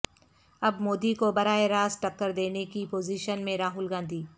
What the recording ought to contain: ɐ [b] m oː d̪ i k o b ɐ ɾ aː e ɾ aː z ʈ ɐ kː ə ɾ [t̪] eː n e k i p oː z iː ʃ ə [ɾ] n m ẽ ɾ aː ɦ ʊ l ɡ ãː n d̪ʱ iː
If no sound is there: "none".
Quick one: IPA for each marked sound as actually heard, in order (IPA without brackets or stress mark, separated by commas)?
b, d̪, none